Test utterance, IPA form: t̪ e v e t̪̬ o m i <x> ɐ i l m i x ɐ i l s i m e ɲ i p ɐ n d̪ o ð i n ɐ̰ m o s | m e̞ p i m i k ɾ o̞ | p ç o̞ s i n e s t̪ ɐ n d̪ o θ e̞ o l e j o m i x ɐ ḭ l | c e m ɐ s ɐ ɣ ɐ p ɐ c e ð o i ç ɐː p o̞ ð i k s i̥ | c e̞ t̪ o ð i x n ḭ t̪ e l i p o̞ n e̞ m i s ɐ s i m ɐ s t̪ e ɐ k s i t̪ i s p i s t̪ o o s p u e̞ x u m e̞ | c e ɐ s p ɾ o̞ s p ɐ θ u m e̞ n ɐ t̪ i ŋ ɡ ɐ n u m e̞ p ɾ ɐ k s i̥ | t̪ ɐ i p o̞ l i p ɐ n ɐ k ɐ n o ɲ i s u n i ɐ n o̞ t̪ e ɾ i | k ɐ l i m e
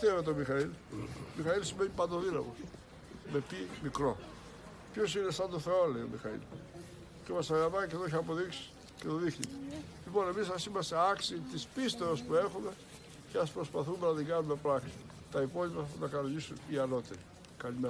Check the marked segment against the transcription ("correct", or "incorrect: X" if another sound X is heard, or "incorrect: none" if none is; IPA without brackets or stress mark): correct